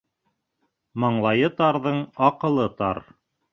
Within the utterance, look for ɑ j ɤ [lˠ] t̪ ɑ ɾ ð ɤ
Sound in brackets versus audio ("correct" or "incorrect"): incorrect